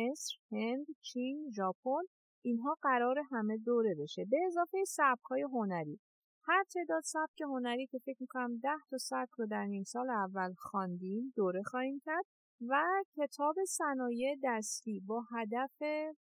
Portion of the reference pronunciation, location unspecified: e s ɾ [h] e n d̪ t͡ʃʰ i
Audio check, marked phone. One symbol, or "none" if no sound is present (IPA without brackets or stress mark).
h